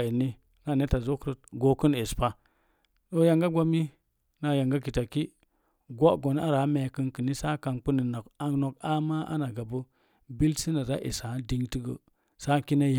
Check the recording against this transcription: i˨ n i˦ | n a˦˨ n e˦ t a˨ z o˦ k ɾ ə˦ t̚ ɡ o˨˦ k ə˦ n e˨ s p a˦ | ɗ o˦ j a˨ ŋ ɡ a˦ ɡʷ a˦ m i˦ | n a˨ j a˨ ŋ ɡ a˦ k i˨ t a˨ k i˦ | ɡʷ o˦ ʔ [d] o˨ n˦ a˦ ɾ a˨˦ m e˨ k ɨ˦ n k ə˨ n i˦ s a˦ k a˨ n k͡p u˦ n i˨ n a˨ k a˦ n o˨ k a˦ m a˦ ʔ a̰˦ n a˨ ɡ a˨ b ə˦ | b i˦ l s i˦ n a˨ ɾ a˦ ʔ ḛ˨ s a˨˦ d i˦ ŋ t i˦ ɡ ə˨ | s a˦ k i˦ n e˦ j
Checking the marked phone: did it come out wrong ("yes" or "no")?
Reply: yes